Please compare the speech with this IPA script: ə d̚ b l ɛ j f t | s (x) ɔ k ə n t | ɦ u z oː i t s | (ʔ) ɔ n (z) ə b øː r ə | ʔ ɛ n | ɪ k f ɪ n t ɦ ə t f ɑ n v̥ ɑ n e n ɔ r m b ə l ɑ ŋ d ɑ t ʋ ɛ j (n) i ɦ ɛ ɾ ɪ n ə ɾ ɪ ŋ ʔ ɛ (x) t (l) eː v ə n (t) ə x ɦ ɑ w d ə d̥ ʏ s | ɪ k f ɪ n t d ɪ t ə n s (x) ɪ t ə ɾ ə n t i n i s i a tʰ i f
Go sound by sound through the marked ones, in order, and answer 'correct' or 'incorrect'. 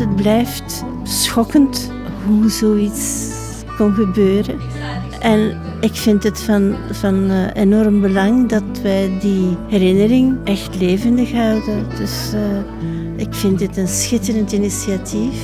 correct, incorrect, incorrect, incorrect, correct, correct, incorrect, correct

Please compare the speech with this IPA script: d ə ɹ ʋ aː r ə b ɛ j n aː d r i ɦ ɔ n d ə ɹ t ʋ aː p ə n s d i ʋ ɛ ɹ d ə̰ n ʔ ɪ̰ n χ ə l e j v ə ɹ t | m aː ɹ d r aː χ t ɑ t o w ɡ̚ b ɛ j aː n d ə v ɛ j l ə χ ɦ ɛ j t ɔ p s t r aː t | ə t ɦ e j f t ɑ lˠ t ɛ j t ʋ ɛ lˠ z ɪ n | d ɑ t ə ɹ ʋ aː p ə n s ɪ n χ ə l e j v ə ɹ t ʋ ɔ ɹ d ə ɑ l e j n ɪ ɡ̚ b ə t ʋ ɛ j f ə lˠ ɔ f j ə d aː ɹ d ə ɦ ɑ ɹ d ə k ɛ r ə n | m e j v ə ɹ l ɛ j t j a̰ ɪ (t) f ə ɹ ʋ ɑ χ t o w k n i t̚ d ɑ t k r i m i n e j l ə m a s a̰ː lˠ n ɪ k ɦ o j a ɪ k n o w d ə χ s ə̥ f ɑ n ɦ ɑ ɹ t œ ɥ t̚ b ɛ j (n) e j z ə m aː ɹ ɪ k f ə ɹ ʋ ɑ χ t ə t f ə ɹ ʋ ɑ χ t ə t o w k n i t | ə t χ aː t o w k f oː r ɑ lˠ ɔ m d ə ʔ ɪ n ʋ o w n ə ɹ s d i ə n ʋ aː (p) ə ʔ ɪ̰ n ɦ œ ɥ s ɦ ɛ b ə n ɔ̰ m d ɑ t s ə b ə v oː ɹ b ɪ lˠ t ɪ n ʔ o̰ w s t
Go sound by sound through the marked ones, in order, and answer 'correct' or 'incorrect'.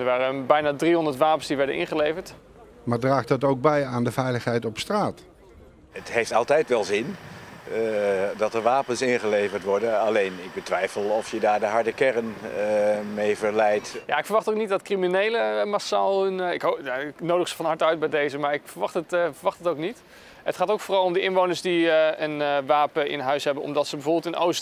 incorrect, incorrect, correct

